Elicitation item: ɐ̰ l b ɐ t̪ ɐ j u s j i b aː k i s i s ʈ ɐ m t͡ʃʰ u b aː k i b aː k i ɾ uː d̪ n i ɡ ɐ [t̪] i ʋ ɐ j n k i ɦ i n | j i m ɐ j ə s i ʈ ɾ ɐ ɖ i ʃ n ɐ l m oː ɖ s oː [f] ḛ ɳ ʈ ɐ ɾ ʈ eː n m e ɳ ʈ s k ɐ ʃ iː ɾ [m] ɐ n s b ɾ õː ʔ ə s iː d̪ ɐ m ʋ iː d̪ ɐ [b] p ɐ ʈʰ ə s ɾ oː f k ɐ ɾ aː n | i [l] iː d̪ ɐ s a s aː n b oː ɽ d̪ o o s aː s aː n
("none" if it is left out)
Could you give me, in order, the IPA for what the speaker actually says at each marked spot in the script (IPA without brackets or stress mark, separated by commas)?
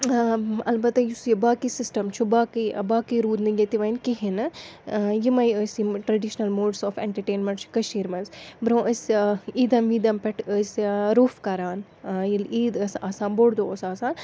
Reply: t̪, f, m, m, l